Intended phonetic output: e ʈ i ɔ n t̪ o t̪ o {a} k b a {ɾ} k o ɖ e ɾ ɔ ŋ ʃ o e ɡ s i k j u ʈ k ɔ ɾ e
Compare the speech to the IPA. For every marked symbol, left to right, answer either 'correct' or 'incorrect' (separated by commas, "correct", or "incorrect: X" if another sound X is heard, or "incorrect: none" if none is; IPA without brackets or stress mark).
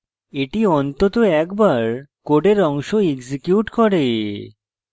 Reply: incorrect: ɛ, correct